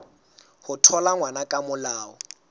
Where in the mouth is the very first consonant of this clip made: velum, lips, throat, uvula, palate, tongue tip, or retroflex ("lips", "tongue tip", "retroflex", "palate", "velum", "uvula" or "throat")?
throat